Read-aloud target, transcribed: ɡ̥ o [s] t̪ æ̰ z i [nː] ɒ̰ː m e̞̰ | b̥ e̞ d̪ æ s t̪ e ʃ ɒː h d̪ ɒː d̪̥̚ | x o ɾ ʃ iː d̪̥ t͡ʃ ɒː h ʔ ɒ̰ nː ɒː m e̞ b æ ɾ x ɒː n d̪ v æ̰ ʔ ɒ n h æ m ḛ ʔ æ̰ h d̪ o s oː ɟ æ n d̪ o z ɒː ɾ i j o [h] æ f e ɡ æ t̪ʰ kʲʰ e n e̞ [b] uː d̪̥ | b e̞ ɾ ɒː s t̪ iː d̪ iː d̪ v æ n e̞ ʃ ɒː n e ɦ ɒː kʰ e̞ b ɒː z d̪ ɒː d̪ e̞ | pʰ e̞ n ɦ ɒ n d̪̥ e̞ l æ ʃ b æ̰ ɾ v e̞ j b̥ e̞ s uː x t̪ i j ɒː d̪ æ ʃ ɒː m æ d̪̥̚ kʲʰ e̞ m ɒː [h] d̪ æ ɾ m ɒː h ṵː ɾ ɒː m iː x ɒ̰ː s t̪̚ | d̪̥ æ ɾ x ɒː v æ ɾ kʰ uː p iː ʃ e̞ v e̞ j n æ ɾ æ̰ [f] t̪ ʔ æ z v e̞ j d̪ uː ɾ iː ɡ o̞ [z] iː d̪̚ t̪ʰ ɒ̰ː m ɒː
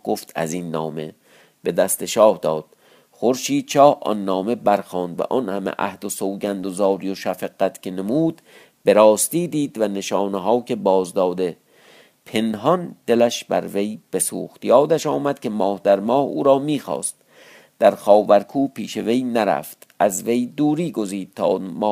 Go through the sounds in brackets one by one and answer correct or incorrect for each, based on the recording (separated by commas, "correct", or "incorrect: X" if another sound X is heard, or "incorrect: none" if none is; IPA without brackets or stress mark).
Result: incorrect: f, correct, incorrect: ʃ, incorrect: m, correct, correct, correct